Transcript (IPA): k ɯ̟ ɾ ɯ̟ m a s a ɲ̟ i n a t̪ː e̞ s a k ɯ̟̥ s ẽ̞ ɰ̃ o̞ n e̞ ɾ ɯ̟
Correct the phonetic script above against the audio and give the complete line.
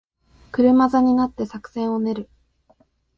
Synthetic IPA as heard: k ɯ̟ ɾ ɯ̟ m a z a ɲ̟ i n a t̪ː e̞ s a k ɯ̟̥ s ẽ̞ ɰ̃ o̞ n e̞ ɾ ɯ̟